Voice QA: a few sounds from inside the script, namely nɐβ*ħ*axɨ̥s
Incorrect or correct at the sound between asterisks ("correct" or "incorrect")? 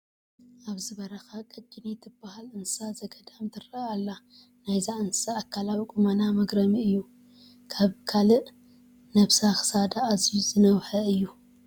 incorrect